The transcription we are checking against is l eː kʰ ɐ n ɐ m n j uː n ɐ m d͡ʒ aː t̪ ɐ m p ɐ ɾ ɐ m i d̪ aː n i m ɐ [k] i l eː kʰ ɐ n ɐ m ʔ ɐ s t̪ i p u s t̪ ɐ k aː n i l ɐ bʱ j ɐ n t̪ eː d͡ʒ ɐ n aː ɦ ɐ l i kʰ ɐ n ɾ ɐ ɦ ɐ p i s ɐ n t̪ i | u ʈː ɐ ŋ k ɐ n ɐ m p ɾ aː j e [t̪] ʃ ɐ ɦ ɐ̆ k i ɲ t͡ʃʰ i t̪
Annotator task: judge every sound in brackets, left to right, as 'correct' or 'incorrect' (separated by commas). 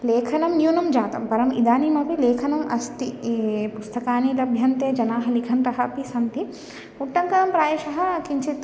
incorrect, incorrect